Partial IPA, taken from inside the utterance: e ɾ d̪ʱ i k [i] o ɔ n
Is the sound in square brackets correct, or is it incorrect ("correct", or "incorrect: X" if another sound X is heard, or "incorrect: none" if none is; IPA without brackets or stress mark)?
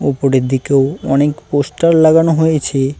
incorrect: e